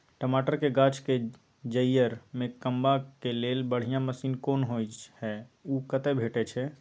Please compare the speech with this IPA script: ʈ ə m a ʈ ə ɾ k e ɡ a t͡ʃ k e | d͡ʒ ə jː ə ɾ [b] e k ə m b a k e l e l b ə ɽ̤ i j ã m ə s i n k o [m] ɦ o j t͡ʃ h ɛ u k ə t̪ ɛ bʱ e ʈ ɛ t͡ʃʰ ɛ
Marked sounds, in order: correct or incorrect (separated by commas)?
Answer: incorrect, incorrect